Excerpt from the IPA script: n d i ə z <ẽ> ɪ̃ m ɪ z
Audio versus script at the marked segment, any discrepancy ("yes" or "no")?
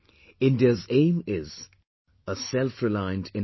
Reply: no